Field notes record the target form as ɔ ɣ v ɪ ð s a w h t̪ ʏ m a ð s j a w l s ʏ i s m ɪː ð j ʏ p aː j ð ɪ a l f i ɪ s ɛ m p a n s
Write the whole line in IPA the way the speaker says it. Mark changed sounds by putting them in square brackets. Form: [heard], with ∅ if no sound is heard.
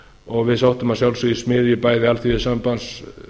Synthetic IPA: ɔ ɣ v ɪ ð s a w h t̪ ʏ m a ð s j a w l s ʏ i s m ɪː ð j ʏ p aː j ð ɪ a l [θ] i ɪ s [a] m p a n s